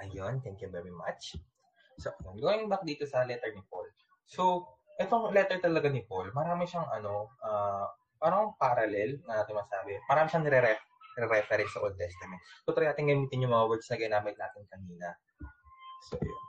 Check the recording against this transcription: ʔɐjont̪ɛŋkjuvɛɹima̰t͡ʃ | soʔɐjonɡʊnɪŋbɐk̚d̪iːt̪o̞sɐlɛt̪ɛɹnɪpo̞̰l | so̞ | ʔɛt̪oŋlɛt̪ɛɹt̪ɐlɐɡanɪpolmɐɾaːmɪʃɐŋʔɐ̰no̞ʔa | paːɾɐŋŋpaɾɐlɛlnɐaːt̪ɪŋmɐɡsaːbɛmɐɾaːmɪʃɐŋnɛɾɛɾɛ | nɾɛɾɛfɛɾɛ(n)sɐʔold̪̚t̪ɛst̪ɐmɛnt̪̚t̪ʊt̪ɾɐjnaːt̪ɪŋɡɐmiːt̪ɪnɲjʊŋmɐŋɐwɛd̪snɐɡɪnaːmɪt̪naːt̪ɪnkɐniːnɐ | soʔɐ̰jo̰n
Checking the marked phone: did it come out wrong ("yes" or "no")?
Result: no